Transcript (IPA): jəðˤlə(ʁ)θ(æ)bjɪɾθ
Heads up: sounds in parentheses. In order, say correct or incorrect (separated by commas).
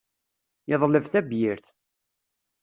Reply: incorrect, correct